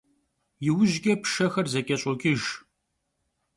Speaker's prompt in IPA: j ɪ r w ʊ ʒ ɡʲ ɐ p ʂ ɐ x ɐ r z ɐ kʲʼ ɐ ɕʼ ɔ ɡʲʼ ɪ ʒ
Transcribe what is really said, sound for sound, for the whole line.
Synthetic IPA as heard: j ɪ w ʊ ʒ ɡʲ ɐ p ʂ ɐ x ɐ r z ɐ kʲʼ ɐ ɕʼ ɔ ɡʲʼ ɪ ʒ